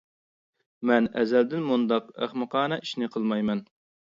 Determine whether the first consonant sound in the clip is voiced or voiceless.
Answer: voiced